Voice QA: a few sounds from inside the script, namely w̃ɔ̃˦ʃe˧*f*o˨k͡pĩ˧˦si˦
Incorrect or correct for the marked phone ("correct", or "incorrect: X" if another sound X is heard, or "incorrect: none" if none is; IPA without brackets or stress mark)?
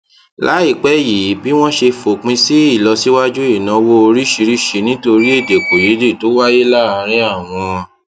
correct